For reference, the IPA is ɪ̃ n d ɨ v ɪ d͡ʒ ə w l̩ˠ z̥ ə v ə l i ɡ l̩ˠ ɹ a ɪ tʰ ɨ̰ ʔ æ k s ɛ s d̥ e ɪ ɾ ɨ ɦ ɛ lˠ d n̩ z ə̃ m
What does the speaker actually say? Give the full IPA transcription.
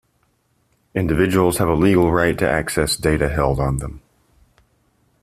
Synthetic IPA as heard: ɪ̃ n d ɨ v ɪ d͡ʒ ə w l̩ˠ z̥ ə v ə l i ɡ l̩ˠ ɹ a ɪ tʰ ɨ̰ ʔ æ k s ɛ s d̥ e ɪ ɾ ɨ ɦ ɛ lˠ d n̩ ð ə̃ m